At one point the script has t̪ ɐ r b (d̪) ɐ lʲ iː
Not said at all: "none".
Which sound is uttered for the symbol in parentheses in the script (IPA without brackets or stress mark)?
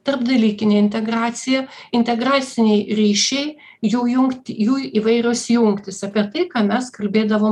d̪